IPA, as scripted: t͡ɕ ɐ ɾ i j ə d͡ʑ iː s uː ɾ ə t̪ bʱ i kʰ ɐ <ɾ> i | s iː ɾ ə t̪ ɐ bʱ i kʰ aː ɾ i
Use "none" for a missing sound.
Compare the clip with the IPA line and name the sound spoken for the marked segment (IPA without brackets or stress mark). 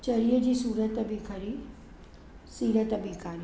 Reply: ɾ